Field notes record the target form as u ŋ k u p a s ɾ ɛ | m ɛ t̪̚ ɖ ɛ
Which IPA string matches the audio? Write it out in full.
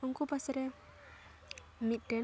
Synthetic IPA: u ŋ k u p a s ɾ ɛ | m i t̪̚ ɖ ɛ